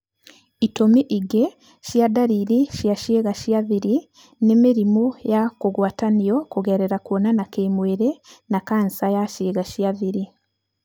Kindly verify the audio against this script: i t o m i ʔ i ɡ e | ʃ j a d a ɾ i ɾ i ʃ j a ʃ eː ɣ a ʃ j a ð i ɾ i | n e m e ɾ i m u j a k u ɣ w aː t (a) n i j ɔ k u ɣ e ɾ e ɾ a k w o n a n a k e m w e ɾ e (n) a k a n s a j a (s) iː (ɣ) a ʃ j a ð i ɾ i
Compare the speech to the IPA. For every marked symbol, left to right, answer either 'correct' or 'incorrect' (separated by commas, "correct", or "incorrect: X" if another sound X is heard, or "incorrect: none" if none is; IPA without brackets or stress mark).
correct, correct, incorrect: ʃ, correct